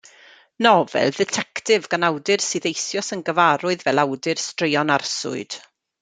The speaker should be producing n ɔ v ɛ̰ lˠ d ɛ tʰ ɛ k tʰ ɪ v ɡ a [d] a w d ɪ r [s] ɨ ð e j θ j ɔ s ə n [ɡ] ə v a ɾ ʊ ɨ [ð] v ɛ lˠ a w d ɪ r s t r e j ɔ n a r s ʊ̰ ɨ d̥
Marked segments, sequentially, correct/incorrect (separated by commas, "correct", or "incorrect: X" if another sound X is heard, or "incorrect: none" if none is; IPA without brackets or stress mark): incorrect: n, correct, correct, correct